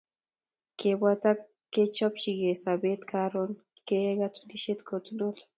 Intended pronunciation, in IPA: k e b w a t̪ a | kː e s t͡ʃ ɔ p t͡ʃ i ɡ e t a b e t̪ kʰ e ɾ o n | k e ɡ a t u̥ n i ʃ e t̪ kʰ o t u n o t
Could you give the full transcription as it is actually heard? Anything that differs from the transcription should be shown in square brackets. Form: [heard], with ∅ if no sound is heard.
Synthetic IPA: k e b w a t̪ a | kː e [∅] t͡ʃ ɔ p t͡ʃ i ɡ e [s] a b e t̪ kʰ [a] ɾ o n | k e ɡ a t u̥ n i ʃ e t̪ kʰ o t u n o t